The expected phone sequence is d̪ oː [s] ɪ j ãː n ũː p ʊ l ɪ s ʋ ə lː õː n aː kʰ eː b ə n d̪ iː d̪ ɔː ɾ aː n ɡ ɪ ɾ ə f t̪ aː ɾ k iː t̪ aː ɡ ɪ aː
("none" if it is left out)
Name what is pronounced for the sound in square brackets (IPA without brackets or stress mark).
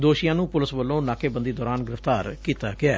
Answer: ʃ